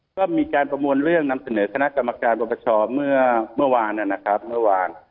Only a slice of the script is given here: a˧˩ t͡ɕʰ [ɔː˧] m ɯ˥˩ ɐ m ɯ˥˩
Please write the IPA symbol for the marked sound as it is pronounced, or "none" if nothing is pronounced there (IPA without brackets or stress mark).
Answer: ɔː˧